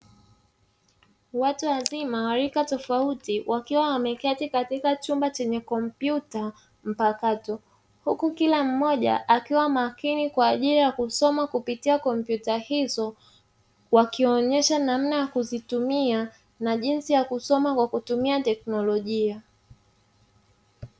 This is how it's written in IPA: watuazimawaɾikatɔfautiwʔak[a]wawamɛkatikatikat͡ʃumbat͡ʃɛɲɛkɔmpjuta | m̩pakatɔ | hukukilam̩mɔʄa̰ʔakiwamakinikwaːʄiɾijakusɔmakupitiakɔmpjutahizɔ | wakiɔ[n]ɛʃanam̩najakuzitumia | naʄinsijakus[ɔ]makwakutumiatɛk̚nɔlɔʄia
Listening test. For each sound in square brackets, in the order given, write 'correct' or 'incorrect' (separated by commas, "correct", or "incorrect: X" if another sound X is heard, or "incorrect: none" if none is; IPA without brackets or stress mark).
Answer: incorrect: i, incorrect: ɲ, correct